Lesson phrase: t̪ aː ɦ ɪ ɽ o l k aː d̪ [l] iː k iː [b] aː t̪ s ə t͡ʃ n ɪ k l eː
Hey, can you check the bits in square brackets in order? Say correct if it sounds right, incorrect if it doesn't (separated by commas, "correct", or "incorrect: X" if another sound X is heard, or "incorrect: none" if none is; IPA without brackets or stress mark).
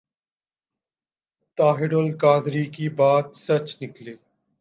incorrect: ɾ, correct